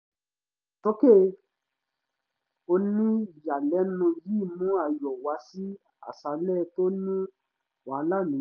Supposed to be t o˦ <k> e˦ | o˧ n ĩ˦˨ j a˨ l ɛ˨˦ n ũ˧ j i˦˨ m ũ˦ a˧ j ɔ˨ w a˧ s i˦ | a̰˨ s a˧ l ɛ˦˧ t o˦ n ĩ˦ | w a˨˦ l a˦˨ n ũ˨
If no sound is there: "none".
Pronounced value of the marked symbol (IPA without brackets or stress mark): k